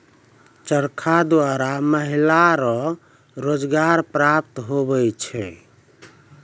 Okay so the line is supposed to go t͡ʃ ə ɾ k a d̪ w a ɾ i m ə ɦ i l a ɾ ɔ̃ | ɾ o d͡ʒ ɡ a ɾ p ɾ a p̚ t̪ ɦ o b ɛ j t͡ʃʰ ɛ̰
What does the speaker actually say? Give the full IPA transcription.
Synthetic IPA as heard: t͡ʃ ə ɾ kʰ a d̪ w a ɾ a m ə ɦ i l a ɾ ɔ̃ | ɾ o d͡ʒ ɡ a ɾ p ɾ a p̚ t̪ ɦ o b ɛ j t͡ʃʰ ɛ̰